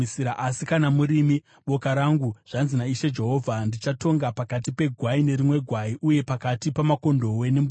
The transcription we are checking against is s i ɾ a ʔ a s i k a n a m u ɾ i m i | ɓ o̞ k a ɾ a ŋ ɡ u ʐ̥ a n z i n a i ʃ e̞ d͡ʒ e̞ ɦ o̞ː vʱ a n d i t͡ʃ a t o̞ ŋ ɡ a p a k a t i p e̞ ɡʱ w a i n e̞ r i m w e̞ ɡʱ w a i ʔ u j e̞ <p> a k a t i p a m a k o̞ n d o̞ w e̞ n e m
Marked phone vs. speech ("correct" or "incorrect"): correct